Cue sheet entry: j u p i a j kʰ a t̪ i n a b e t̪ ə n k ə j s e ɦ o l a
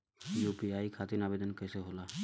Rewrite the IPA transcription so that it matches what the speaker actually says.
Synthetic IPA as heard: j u p i a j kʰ a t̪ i n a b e d̪ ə n k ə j s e ɦ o l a